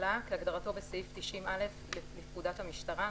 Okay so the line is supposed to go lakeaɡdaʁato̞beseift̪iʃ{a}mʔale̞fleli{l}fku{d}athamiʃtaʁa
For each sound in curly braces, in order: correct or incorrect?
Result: incorrect: i, incorrect: none, correct

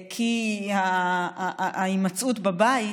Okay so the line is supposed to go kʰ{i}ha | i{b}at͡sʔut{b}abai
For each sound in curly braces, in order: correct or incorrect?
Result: correct, incorrect: m, correct

